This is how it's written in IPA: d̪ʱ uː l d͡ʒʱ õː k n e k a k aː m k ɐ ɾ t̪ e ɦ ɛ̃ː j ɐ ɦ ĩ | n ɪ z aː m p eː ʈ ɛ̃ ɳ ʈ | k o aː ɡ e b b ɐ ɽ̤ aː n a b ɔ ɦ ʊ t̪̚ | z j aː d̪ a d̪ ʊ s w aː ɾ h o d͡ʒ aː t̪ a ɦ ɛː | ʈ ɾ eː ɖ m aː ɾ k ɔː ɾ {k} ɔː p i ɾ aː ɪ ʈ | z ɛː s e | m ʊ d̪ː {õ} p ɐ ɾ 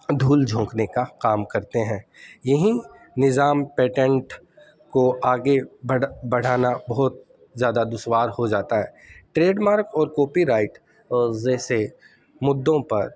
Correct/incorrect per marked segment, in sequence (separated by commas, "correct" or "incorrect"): correct, correct